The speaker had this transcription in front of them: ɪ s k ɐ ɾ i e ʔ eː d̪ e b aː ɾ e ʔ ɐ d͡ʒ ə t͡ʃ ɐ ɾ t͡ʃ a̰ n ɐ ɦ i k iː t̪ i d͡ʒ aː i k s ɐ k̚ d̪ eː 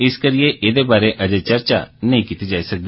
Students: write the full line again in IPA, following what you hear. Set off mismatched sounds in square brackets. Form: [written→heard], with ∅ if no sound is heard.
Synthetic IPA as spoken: ɪ s k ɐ ɾ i e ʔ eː d̪ e b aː ɾ e ʔ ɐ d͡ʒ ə t͡ʃ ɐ ɾ t͡ʃ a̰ n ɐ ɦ [i→ĩ] k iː t̪ i d͡ʒ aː i [k→∅] s ɐ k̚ d̪ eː